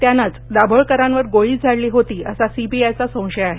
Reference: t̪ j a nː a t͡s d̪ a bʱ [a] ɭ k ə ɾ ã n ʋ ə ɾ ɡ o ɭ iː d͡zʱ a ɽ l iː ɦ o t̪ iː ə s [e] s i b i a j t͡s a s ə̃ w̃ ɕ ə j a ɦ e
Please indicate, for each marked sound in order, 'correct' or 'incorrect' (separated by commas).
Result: incorrect, incorrect